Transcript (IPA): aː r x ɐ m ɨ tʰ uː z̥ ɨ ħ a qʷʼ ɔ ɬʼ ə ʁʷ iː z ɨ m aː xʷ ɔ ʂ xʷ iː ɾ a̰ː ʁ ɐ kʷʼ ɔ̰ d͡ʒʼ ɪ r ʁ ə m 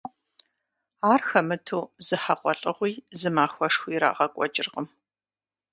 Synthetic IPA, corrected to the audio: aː r x ɐ m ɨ tʰ uː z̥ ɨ ħ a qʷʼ ɔ ɬʼ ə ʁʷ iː z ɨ m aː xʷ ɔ ʂ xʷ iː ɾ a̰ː ʁ ɐ kʷʼ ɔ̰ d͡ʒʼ ɪ r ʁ ə m